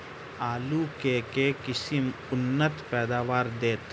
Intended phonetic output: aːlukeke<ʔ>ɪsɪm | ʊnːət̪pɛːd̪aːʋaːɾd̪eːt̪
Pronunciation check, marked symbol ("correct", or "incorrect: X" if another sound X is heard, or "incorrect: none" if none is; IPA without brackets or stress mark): incorrect: k